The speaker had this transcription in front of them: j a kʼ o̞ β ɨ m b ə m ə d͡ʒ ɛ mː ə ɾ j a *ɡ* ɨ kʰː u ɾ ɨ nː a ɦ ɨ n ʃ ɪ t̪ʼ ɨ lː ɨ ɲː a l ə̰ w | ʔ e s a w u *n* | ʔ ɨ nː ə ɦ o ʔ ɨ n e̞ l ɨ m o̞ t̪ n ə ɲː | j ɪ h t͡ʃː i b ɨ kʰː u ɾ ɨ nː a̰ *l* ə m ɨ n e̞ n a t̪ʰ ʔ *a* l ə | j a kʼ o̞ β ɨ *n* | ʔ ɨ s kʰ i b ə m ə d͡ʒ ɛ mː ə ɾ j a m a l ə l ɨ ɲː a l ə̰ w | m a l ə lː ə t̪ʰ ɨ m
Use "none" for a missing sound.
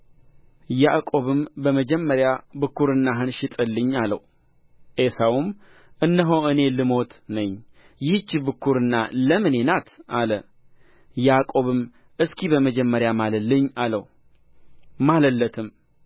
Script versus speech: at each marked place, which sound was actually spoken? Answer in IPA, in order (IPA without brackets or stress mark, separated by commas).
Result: b, m, l, a, m